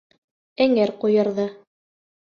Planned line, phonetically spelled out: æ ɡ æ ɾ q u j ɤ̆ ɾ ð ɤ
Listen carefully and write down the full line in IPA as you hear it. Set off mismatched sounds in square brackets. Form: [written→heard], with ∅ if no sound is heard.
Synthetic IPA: æ [ɡ→ŋ] æ ɾ q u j ɤ̆ ɾ ð ɤ